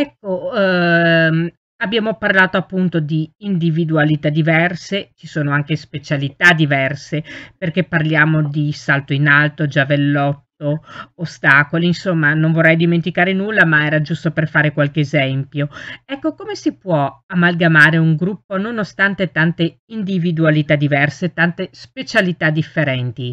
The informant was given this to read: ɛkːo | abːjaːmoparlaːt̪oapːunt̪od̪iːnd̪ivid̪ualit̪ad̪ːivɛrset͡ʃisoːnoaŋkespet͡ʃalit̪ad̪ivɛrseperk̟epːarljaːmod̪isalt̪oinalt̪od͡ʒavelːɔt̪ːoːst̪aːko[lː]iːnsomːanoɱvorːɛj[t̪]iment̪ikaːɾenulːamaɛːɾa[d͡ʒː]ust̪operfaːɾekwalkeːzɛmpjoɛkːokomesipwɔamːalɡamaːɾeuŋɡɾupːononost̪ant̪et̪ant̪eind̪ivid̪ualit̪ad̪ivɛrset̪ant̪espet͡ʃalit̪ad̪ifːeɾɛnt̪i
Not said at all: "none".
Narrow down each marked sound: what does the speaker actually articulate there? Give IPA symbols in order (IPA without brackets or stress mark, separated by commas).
l, d̪, d͡ʒ